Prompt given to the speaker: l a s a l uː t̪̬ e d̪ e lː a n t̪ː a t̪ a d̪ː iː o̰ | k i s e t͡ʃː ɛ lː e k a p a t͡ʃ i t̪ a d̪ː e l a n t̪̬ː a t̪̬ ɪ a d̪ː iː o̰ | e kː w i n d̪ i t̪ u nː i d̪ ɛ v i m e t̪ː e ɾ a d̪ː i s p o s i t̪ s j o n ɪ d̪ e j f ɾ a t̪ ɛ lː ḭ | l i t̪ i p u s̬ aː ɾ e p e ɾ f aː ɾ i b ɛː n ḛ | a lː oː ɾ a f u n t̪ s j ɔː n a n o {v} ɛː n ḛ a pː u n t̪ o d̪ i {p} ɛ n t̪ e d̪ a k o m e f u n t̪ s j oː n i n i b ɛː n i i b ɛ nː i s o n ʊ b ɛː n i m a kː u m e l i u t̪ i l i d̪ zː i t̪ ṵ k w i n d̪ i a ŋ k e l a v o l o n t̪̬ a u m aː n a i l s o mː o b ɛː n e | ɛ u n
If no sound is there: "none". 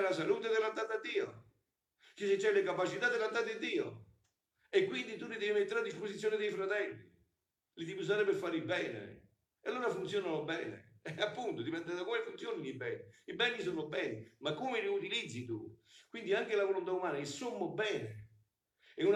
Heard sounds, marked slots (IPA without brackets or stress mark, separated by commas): b, p